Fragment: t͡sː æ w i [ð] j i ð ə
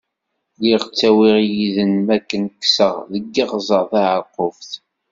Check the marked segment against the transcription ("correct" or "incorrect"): incorrect